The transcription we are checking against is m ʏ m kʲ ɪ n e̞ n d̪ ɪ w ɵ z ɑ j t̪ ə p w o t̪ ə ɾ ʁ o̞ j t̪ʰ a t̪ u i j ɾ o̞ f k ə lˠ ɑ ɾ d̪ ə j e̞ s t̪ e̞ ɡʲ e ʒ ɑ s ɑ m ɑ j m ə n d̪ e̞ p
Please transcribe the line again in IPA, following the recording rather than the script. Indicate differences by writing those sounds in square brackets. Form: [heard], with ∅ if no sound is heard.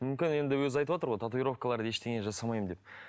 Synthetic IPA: m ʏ m kʲ ɪ n e̞ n d̪ ɪ w ɵ z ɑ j t̪ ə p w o t̪ ə ɾ ʁ o̞ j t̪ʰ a t̪ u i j ɾ o̞ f k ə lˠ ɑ ɾ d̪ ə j e̞ [ʃ] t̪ e̞ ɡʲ e ʒ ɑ s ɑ m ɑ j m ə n d̪ e̞ p